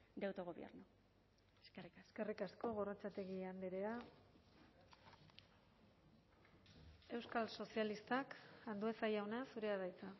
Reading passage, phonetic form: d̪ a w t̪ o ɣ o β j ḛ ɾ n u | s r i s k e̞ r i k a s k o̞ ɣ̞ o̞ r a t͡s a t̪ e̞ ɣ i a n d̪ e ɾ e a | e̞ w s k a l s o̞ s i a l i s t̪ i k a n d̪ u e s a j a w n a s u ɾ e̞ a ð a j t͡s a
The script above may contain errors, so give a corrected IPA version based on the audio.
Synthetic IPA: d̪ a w t̪ o ɣ o β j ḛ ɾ n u | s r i s k e̞ r i k a s k o̞ ɣ̞ o̞ r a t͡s a t̪ e̞ ɣ i a n d̪ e ɾ e a | e̞ w s k a l s o̞ s i a l i s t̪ a k a n d̪ u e s a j a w n a s u ɾ e̞ a ð a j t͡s a